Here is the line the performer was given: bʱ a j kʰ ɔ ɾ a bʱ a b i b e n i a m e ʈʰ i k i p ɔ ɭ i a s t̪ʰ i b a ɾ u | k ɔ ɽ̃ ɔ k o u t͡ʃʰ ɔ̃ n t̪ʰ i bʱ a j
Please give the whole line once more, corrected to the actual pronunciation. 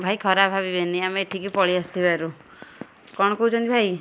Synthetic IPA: bʱ a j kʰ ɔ ɾ a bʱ a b i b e n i a m e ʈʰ i k i p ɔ ɭ i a s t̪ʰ i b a ɾ u | k ɔ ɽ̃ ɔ k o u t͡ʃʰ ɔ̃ n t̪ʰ i bʱ a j